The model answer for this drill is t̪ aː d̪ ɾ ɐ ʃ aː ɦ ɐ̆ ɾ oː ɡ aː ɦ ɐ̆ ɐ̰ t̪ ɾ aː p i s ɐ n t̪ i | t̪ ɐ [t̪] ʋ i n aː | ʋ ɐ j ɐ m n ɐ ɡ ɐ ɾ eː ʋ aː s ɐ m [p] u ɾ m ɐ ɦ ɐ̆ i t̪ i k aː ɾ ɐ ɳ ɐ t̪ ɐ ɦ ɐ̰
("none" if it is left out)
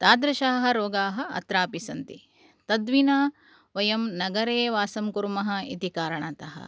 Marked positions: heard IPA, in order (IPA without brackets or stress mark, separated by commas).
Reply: d̪, k